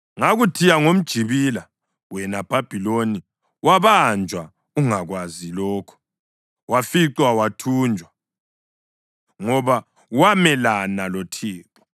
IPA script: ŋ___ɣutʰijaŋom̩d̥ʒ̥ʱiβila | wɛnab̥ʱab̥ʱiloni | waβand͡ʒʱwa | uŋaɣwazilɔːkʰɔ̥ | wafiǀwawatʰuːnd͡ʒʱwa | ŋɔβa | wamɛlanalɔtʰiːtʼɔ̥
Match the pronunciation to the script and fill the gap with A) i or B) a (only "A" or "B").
B